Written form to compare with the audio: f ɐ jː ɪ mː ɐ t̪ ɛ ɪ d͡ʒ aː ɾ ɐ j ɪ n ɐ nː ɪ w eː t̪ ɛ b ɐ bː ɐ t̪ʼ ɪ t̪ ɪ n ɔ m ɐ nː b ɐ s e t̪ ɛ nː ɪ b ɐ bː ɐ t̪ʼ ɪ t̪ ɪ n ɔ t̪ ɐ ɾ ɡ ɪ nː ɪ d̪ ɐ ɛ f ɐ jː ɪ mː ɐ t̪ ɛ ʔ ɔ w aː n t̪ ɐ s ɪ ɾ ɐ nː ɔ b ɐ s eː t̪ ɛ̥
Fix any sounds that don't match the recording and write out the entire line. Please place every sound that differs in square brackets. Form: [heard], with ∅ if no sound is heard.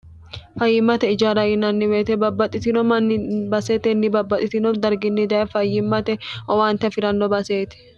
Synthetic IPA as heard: f ɐ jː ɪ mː ɐ t̪ ɛ ɪ d͡ʒ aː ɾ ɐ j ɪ n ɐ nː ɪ w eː t̪ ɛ b ɐ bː ɐ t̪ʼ ɪ t̪ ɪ n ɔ m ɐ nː b ɐ s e t̪ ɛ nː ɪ b ɐ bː ɐ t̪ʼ ɪ t̪ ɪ n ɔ [d̪] ɐ ɾ ɡ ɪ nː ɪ d̪ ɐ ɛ f ɐ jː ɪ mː ɐ t̪ ɛ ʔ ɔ w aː n t̪ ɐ [f] ɪ ɾ ɐ nː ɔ b ɐ s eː t̪ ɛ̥

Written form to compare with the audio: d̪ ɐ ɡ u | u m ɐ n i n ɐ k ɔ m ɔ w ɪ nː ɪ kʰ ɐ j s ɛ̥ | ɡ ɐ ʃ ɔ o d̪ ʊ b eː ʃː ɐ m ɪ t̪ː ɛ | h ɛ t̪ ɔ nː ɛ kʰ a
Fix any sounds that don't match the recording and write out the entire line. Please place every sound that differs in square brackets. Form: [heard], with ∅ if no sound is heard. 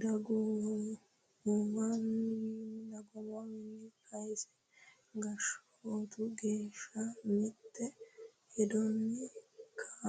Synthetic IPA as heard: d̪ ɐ ɡ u | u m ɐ n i n ɐ [ɡ] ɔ m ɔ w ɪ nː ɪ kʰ ɐ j s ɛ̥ | ɡ ɐ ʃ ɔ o [t̪] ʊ [ɡ] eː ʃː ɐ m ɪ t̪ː ɛ | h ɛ [d̪] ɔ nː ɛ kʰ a

